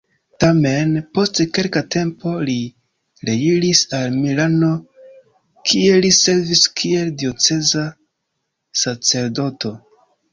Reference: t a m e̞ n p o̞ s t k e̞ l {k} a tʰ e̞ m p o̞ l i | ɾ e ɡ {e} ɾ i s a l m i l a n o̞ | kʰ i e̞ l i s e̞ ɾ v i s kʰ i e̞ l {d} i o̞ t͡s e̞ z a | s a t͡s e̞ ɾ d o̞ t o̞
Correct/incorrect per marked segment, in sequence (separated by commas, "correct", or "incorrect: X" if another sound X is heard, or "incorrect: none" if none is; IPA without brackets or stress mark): correct, incorrect: i, correct